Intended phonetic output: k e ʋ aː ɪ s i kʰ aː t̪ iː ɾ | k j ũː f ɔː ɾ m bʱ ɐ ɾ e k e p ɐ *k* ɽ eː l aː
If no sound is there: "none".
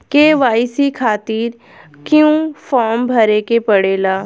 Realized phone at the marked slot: none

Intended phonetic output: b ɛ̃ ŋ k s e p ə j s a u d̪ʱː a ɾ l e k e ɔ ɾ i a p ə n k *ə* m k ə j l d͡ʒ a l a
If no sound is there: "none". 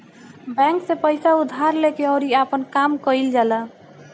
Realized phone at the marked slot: a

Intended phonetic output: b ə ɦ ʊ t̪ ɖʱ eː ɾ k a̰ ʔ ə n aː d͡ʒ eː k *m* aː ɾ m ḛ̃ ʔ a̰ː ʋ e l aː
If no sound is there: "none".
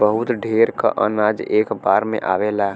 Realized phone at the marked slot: b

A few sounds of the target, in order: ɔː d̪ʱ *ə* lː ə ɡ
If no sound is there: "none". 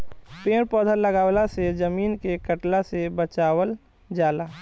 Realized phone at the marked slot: ə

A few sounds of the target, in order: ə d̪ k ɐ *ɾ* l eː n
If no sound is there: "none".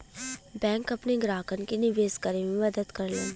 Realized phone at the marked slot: ɾ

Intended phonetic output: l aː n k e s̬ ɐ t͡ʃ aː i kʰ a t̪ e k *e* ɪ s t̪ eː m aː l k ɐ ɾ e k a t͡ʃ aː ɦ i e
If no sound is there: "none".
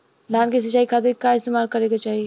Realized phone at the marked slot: a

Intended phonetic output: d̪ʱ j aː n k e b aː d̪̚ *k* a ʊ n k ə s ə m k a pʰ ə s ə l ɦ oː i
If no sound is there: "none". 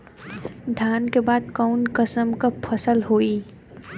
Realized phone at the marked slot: k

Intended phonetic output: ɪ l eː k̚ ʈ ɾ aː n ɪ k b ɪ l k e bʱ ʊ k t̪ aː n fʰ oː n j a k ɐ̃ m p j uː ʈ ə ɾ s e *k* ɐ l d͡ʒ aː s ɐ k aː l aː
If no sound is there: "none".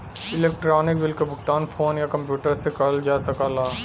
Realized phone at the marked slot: k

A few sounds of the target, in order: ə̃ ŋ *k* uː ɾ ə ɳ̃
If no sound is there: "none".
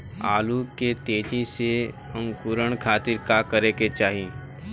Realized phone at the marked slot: k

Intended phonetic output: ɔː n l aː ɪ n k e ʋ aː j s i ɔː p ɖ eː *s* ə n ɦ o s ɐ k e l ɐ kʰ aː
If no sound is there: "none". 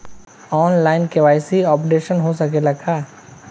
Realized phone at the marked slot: ʃ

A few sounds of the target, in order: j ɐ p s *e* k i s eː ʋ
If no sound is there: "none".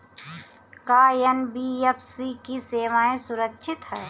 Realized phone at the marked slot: i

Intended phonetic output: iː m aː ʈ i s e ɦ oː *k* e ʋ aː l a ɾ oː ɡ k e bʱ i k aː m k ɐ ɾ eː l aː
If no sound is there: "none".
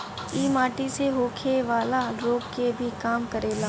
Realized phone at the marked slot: kʰ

